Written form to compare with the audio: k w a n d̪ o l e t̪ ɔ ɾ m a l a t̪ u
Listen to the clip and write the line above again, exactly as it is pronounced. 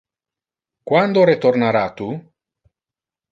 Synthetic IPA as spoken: k w a n d̪ o ɾ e t̪ o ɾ n a ɾ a t̪ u